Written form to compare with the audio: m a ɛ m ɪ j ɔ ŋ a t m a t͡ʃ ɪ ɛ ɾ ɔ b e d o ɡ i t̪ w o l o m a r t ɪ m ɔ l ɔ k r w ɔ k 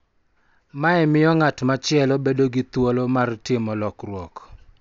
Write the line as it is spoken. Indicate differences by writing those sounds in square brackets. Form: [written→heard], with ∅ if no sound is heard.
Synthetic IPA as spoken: m a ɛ m ɪ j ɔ ŋ a t m a t͡ʃ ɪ ɛ [ɾ→l] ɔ b e d o ɡ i t̪ w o l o m a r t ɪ m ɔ l ɔ k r w ɔ k